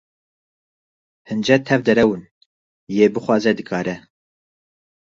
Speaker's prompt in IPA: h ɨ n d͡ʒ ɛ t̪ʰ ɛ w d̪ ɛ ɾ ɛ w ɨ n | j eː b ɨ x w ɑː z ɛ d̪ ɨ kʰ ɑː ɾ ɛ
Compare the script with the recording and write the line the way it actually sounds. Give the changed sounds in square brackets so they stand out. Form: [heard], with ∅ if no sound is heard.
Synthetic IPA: h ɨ n d͡ʒ ɛ t̪ʰ ɛ [v] d̪ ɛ ɾ ɛ w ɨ n | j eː b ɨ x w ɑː z ɛ d̪ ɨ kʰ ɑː ɾ ɛ